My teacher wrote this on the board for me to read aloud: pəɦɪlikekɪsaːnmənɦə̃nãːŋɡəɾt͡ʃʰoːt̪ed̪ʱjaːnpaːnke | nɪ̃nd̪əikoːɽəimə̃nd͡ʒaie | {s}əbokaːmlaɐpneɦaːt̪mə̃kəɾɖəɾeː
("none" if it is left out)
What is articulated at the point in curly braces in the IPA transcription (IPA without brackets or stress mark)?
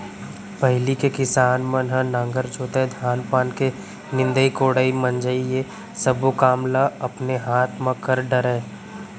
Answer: s